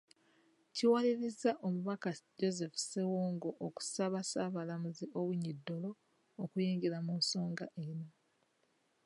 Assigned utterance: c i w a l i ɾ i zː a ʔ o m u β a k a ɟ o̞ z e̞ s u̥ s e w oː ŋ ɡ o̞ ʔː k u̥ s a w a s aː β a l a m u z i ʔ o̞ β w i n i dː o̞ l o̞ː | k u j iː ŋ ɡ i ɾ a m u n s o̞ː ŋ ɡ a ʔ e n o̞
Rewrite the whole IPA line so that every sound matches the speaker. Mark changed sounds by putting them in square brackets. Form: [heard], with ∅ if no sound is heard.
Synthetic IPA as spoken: c i w a l i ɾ i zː a ʔ o m u β a k a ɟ o̞ z e̞ [f] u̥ s e w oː ŋ ɡ o̞ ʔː k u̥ s a [β] a s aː β a l a m u z i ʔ o̞ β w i [ɲ] i dː o̞ l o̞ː | k u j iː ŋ ɡ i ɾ a m u n s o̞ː ŋ ɡ a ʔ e n o̞